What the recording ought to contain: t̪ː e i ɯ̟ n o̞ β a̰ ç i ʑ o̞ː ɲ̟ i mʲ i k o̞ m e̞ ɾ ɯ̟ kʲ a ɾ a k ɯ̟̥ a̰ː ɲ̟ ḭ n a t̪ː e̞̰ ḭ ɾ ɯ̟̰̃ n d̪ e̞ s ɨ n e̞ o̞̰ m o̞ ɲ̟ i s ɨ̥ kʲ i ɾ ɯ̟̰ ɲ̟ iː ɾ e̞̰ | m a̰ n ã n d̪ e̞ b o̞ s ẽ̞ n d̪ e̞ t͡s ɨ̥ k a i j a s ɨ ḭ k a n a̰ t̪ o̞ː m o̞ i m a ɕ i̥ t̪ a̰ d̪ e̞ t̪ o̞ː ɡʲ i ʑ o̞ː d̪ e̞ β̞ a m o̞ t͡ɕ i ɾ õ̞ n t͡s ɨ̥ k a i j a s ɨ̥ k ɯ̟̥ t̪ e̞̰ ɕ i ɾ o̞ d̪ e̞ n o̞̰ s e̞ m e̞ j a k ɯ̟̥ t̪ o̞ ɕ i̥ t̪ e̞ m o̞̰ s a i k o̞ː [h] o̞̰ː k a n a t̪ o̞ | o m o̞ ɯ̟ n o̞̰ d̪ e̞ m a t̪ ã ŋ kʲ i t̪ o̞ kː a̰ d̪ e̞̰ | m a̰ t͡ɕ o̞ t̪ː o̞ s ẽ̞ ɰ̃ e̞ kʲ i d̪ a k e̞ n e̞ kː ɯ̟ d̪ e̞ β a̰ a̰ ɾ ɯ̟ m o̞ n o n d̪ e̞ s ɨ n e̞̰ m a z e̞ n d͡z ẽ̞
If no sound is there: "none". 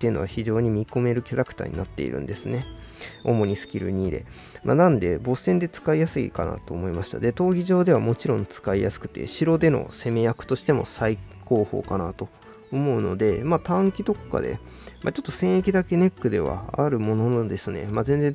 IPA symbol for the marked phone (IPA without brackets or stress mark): h